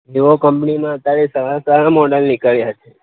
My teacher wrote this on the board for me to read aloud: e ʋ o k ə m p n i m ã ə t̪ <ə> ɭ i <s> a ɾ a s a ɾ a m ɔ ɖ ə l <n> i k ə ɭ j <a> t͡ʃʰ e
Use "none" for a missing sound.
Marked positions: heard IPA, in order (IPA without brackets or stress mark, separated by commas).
a, s, n, a